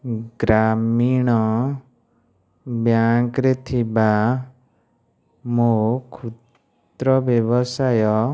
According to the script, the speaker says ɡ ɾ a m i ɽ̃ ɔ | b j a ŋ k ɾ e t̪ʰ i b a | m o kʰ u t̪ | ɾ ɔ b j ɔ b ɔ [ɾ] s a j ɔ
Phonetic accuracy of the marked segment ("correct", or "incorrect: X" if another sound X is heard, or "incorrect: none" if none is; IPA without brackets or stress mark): incorrect: none